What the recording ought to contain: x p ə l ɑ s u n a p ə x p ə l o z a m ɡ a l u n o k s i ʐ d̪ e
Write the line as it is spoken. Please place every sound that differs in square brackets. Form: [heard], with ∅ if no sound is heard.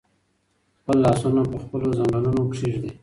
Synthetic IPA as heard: x p ə [lː] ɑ s u n a p ə x p ə l o z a [ŋ] ɡ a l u n o k [ʂ] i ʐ d̪ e

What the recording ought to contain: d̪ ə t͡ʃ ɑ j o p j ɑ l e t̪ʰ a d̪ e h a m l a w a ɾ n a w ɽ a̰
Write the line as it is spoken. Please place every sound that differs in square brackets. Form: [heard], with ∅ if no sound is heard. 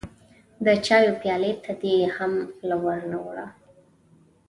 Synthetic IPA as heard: d̪ ə t͡ʃ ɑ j o p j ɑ l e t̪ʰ a d̪ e h a m l a w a ɾ n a w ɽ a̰

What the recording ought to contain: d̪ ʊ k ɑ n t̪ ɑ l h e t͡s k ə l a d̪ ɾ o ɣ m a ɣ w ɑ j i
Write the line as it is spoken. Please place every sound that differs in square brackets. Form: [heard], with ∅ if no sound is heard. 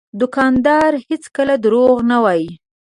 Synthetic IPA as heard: d̪ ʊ k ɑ n [d̪] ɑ [ɾ] h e t͡s k ə l a d̪ ɾ o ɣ [n] a [∅] w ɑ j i

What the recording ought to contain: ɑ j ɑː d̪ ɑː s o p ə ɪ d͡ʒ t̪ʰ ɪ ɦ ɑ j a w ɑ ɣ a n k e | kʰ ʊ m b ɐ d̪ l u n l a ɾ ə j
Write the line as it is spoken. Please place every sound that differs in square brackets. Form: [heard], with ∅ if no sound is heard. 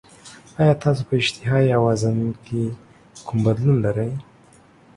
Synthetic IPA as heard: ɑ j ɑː [t̪] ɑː s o p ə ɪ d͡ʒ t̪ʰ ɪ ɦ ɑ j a w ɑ [z] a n k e | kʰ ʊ m b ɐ d̪ l u n l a ɾ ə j

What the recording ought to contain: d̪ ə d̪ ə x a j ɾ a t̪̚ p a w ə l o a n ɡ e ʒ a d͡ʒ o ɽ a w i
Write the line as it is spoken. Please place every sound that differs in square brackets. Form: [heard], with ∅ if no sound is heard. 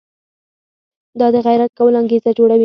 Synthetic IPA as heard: d̪ [ɑ] d̪ ə [ɣ] a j ɾ a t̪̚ [k] a w ə l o a [ŋ] ɡ e [z] a d͡ʒ o ɽ a w i

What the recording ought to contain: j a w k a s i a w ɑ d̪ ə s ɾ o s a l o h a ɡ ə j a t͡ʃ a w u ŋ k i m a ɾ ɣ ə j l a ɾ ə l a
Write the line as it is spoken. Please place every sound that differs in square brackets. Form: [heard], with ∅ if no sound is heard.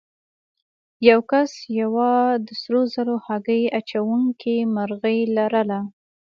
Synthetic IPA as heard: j a w k a s [j] a w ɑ d̪ ə s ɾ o [z] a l o h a ɡ ə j a t͡ʃ a w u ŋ k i m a ɾ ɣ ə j l a ɾ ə l a

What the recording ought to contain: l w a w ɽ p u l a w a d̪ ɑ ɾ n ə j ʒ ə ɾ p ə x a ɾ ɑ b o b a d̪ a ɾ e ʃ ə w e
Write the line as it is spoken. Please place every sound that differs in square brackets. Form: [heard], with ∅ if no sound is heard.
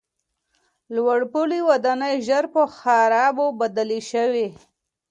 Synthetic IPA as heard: l w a [∅] ɽ p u l [i] w a d̪ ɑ [∅] n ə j ʒ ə ɾ p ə x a ɾ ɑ b o b a d̪ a [l] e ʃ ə w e

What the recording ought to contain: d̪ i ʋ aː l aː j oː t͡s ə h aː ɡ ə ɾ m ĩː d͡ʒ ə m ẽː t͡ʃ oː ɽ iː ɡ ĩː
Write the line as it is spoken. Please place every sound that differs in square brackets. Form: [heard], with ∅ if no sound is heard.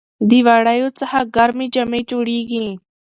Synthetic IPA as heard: d̪ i ʋ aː [ɽ] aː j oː t͡s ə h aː ɡ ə ɾ m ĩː d͡ʒ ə m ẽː t͡ʃ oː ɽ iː ɡ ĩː

